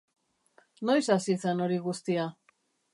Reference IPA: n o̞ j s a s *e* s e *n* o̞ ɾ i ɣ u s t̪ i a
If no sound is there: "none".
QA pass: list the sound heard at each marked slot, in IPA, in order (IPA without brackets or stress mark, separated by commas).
i, n